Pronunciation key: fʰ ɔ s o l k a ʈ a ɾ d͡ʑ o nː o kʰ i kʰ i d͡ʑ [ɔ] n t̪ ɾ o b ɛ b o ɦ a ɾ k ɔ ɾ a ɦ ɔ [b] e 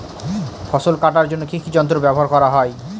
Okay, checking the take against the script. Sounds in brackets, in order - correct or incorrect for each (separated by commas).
correct, incorrect